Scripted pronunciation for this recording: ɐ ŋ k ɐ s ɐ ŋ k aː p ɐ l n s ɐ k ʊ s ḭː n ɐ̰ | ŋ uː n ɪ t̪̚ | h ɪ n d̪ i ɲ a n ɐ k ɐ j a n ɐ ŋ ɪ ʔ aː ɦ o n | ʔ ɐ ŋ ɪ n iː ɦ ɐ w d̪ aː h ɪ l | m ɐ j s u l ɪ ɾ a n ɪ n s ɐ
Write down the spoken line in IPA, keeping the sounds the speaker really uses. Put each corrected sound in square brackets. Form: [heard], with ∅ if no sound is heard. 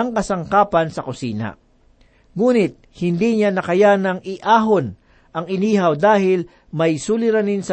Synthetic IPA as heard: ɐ ŋ k ɐ s ɐ ŋ k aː p ɐ [∅] n s ɐ k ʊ s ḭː n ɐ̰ | ŋ uː n ɪ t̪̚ | h ɪ n d̪ i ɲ a n ɐ k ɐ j a n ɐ ŋ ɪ ʔ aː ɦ o n | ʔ ɐ ŋ ɪ n iː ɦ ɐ w d̪ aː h ɪ l | m ɐ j s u l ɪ ɾ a n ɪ n s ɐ